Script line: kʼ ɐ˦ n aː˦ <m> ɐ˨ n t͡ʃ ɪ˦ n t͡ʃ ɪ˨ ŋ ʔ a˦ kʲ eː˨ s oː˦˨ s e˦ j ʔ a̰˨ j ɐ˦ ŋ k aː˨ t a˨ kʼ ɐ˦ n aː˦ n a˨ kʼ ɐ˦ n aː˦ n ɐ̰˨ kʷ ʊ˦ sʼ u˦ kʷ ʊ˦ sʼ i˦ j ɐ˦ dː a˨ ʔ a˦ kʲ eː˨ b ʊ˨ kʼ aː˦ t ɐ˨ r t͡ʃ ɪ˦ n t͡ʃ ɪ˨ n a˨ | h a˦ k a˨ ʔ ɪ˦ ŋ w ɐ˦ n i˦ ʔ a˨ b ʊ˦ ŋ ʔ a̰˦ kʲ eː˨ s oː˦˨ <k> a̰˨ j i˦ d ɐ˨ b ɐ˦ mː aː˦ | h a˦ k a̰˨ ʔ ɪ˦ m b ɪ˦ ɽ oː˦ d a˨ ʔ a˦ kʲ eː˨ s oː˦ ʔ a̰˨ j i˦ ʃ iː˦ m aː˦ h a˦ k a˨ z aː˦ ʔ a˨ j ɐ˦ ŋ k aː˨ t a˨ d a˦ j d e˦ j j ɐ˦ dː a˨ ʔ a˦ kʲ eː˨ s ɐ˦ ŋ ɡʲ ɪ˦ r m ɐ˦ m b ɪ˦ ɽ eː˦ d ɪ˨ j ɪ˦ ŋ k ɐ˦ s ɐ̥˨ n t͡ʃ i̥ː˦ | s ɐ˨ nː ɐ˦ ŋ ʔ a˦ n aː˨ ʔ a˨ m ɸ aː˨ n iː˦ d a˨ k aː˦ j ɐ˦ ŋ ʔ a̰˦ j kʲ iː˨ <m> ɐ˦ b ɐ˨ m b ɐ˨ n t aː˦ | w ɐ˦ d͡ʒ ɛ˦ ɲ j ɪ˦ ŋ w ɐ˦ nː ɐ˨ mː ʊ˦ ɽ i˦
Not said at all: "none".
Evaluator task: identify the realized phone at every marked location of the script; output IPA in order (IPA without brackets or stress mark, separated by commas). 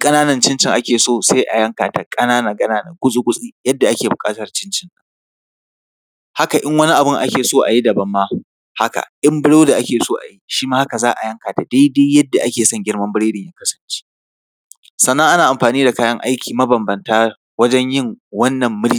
n, ʔ, m